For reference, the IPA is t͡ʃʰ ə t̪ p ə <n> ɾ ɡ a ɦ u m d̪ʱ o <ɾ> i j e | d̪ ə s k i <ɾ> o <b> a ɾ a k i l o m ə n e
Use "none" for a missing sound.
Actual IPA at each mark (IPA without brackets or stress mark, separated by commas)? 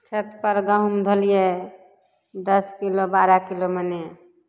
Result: none, l, l, b